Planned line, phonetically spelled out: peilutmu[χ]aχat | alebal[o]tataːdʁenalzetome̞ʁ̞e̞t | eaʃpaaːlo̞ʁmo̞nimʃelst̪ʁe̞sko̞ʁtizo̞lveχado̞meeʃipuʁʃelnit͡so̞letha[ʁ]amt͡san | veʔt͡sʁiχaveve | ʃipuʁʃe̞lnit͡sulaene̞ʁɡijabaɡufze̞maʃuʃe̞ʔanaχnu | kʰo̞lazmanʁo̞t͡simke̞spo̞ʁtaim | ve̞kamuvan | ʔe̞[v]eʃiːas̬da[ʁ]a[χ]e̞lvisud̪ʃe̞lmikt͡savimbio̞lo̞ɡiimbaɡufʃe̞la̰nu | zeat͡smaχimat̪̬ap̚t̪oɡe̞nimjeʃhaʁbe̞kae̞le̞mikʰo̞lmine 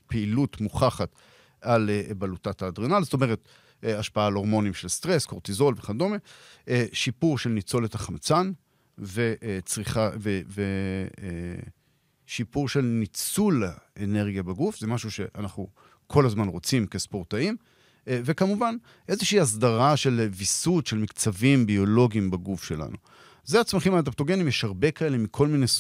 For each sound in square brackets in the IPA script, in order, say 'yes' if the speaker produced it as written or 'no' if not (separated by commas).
yes, no, no, no, yes, no